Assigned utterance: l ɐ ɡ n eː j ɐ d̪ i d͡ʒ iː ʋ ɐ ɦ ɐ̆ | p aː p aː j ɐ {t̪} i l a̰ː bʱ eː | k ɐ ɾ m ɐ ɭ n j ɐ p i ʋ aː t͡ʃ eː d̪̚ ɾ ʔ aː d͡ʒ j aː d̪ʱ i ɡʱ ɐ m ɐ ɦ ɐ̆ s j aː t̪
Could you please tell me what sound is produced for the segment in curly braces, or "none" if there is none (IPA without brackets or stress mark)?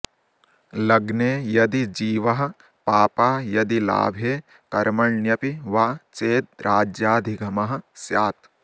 d̪